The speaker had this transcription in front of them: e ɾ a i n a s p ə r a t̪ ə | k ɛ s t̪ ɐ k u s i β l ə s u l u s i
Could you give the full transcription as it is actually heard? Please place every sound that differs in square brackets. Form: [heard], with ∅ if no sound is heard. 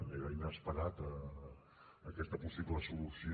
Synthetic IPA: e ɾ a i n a s p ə [ɾ] a t̪ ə | k ɛ s t̪ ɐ [p] u s i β l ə s u l u s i